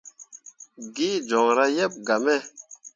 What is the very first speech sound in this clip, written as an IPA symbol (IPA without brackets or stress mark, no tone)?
ɡ